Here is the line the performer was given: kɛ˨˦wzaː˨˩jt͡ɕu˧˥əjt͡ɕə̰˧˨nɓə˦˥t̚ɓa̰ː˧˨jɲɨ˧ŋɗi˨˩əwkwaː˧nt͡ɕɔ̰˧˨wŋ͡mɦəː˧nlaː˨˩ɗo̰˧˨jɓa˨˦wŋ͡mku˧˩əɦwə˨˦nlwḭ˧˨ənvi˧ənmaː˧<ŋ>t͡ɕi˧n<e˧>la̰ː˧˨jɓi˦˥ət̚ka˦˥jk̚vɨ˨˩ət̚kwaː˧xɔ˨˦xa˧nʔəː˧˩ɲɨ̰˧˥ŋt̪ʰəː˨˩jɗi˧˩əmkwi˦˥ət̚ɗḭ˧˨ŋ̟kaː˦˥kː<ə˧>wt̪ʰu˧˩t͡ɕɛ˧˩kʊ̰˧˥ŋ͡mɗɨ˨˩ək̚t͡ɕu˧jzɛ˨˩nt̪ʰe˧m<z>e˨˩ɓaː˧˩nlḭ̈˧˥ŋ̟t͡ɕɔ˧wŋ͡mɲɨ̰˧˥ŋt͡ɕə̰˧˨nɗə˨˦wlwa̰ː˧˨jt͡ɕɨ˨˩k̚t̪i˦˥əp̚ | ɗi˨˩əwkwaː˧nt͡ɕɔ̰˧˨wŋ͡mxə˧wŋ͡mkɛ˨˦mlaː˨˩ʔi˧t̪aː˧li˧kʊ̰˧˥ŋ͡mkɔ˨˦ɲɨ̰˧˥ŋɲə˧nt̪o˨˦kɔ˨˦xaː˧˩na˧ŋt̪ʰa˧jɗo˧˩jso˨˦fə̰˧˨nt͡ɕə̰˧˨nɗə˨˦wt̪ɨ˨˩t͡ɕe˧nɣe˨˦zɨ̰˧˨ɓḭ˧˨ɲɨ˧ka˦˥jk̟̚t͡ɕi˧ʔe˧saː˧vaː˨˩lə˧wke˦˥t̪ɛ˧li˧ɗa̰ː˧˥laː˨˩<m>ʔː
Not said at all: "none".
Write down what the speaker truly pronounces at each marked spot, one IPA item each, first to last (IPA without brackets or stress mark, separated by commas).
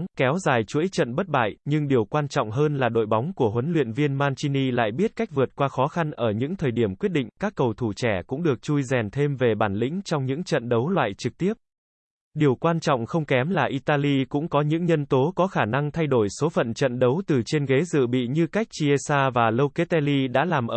n, i˧, ə˨˩, v, m